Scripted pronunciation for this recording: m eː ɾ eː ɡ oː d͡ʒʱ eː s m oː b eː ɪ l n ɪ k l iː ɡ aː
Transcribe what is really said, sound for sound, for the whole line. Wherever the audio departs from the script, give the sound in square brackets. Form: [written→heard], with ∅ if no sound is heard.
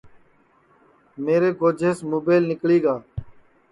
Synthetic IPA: m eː ɾ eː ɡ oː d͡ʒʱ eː s m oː b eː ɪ l n ɪ k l iː ɡ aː